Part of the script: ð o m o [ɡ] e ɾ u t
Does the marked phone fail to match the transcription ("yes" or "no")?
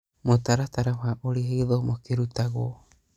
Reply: yes